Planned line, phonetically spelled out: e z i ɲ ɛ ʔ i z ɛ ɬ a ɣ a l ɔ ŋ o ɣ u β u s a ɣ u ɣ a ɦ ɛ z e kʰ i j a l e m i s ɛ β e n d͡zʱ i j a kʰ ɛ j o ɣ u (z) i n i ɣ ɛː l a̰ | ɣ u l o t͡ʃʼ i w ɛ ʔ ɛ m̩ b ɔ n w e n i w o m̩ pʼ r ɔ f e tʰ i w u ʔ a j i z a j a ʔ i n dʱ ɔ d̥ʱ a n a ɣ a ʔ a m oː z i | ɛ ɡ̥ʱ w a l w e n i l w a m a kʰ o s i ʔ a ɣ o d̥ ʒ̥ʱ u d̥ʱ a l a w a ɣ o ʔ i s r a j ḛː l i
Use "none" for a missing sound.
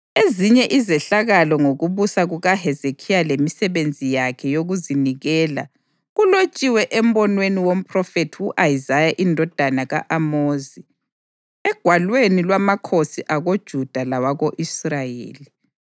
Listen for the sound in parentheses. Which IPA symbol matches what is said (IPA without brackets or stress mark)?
z